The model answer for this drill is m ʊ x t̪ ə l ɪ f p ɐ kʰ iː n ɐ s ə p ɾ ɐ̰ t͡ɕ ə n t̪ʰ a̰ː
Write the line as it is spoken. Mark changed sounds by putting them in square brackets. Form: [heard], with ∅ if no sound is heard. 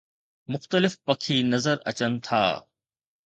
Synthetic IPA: m ʊ x t̪ ə l ɪ f p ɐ kʰ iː n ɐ [z] ə [∅] ɾ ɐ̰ t͡ɕ ə n t̪ʰ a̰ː